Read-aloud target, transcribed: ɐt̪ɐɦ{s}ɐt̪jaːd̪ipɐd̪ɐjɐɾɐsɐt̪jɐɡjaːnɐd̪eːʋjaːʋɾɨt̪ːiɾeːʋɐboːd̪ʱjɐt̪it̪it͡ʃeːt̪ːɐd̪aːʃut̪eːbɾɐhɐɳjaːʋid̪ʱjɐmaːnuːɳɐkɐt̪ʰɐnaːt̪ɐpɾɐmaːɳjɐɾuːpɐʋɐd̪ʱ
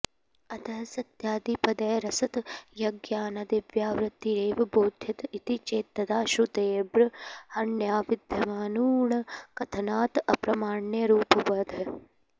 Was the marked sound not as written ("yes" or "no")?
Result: no